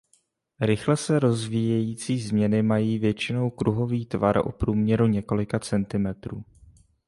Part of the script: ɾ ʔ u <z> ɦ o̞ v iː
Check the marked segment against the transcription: incorrect: none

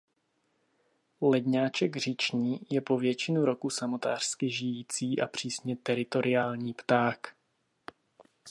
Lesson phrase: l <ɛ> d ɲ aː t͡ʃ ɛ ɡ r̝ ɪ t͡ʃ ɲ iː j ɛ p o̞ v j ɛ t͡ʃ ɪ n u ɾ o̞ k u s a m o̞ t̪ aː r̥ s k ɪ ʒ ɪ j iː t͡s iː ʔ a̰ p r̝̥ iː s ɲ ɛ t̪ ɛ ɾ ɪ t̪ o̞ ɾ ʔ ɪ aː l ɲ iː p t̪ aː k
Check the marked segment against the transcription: correct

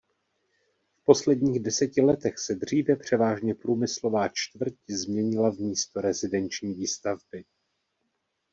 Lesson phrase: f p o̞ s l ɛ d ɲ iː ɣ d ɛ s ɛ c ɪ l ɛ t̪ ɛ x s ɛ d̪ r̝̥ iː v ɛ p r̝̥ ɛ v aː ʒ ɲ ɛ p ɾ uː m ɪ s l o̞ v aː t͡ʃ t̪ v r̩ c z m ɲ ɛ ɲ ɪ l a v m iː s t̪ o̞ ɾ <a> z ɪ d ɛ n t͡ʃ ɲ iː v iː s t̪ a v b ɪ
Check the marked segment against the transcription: incorrect: ɛ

